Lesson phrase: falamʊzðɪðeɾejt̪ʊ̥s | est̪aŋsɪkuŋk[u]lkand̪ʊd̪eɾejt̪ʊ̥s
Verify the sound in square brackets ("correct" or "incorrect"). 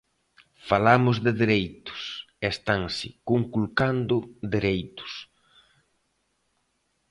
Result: correct